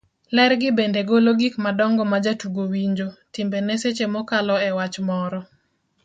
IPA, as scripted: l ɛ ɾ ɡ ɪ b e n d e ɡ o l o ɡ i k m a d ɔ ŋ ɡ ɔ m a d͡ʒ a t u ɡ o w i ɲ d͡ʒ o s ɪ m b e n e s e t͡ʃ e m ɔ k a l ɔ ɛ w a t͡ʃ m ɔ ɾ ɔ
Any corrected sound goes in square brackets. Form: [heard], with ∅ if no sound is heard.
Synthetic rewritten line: l ɛ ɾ ɡ ɪ b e n d e ɡ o l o ɡ i k m a d ɔ ŋ ɡ ɔ m a d͡ʒ a t u ɡ o w i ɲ d͡ʒ o [t] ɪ m b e n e s e t͡ʃ e m ɔ k a l ɔ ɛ w a t͡ʃ m ɔ ɾ ɔ